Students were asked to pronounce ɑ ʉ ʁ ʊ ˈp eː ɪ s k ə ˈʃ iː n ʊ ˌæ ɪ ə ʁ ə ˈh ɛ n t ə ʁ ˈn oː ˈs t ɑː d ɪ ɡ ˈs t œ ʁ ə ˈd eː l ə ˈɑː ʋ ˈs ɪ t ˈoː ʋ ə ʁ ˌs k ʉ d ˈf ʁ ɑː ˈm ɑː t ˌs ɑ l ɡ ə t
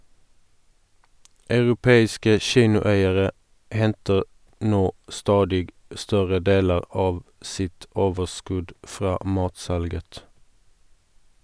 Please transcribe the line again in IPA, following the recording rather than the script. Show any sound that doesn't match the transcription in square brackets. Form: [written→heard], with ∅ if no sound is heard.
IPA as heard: ɑ ʉ ʁ ʊ ˈp eː ɪ s k ə ˈʃ iː n ʊ ˌæ ɪ ə ʁ ə ˈh ɛ n t ə ʁ ˈn oː ˈs t ɑː d ɪ ɡ ˈs t œ ʁ ə ˈd eː l ə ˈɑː ʋ ˈs ɪ t ˈoː ʋ ə ʁ ˌs k ʉ d ˈf ʁ ɑː ˈm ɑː t ˌs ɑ l ɡ ə t